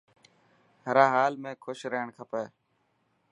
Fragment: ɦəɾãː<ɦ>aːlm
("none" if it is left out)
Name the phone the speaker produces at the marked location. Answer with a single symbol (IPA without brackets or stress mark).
ɦ